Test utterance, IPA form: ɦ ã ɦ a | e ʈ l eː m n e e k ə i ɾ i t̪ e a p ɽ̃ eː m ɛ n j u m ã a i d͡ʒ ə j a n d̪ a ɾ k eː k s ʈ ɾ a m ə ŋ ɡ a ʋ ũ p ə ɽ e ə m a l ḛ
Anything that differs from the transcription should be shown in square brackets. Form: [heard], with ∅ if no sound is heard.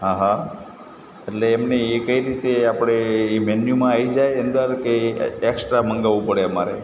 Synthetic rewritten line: ɦ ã ɦ a | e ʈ l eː m n e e k ə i ɾ i t̪ e a p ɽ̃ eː m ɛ n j u m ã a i d͡ʒ [a] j [ə] n d̪ [ə] ɾ k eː k s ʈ ɾ a m ə ŋ ɡ a ʋ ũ p ə ɽ e ə m a [ɾ] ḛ